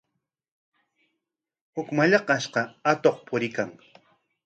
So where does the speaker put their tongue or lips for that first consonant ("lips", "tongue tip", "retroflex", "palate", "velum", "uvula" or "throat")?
throat